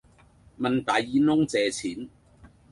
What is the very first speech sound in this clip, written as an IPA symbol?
m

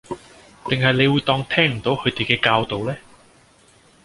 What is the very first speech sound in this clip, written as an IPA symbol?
t̪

